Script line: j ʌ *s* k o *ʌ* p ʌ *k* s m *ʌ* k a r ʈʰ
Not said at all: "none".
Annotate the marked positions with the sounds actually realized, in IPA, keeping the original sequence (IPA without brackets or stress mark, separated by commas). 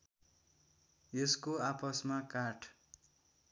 s, a, none, a